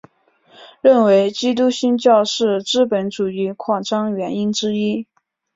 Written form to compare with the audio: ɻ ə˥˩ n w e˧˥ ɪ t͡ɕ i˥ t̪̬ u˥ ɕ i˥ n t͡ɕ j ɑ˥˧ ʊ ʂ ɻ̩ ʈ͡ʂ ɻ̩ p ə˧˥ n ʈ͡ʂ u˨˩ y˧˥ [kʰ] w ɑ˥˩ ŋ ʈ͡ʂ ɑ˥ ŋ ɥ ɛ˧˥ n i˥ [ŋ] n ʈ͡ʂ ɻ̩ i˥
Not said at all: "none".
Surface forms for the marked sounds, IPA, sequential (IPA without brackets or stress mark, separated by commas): kʰ, none